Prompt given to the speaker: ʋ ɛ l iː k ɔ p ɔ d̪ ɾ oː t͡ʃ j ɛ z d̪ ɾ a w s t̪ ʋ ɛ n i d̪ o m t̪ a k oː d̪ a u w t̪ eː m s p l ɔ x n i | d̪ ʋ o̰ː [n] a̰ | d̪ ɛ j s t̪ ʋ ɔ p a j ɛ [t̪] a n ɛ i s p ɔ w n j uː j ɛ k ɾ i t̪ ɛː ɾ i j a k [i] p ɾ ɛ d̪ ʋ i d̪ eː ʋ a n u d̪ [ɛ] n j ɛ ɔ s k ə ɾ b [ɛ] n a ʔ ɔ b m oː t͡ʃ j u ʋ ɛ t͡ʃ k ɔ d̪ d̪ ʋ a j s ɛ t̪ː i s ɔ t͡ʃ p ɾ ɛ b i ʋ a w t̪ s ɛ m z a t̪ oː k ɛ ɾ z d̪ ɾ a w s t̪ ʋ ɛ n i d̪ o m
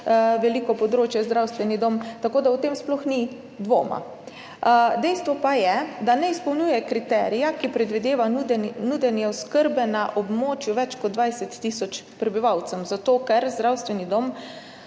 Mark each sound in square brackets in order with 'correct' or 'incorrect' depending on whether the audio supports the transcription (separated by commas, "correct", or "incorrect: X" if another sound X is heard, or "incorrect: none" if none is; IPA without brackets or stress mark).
incorrect: m, incorrect: d̪, correct, correct, correct